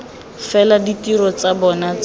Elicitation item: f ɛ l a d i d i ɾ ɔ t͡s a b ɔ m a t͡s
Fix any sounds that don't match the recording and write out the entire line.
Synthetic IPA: f ɛ l a d i t i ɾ ɔ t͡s a b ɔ n a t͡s